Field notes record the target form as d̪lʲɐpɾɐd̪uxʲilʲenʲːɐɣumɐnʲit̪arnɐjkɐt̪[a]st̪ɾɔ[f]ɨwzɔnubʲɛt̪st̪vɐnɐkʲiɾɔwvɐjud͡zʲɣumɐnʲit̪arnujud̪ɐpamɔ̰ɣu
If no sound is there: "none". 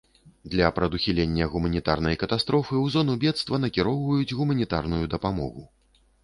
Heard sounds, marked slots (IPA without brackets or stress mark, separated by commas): a, f